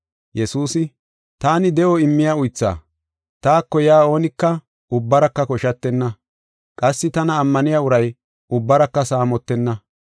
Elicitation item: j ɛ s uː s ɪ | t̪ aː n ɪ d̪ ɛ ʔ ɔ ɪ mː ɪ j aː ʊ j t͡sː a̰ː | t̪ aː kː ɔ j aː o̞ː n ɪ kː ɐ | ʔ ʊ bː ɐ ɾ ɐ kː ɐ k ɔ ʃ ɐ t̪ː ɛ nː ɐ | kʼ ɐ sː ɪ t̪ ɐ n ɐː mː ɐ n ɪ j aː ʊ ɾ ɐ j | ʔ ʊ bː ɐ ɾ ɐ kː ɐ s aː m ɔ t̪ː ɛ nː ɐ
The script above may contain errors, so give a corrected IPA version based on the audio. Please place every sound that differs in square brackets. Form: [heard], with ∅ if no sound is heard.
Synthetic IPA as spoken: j ɛ s uː s ɪ | t̪ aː n ɪ d̪ ɛ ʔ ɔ ɪ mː ɪ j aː ʊ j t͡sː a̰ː | t̪ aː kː ɔ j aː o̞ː n ɪ kː ɐ | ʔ ʊ bː ɐ ɾ ɐ kː ɐ k ɔ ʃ ɐ t̪ː ɛ nː ɐ | kʼ ɐ sː ɪ t̪ ɐ n ɐː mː ɐ n ɪ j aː ʊ ɾ ɐ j | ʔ ʊ bː ɐ ɾ ɐ kː ɐ s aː m ɔ t̪ː ɛ nː ɐ

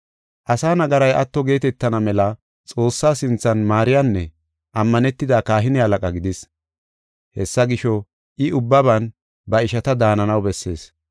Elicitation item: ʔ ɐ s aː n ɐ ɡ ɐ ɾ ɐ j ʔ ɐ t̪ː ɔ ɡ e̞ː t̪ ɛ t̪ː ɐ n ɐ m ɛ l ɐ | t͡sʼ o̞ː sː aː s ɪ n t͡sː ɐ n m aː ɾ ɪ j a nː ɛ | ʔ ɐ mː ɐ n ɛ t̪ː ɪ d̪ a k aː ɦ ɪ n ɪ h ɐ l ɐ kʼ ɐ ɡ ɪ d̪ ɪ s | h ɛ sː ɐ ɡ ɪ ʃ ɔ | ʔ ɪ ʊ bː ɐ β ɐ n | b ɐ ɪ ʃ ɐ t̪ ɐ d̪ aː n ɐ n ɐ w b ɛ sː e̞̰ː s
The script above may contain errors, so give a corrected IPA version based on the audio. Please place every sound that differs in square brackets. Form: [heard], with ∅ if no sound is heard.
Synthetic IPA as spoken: ʔ ɐ s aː n ɐ ɡ ɐ ɾ ɐ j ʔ ɐ t̪ː ɔ ɡ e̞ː t̪ ɛ t̪ː ɐ n ɐ m ɛ l ɐ | t͡sʼ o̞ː sː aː s ɪ n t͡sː ɐ n m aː ɾ ɪ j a nː ɛ | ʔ ɐ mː ɐ n ɛ t̪ː ɪ d̪ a k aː ɦ ɪ n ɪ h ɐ l ɐ kʼ ɐ ɡ ɪ d̪ ɪ s | h ɛ sː ɐ ɡ ɪ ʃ ɔ | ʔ ɪ ʊ bː ɐ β ɐ n | b ɐ ɪ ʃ ɐ t̪ ɐ d̪ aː n ɐ n ɐ w b ɛ sː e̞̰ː s

